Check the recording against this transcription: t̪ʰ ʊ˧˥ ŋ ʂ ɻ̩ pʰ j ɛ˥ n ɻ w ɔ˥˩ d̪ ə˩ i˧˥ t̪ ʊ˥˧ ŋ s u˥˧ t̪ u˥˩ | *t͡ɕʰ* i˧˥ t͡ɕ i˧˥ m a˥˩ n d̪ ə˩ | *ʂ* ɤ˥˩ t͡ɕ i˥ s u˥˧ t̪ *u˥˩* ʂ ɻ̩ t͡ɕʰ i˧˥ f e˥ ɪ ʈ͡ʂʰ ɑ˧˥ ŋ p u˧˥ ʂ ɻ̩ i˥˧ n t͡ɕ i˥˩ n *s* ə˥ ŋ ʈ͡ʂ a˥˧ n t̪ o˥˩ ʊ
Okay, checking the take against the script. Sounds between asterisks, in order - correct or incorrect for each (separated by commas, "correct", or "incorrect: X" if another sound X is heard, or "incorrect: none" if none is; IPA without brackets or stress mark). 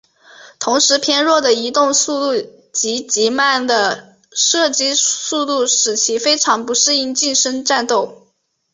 incorrect: t͡ɕ, correct, correct, incorrect: ʂ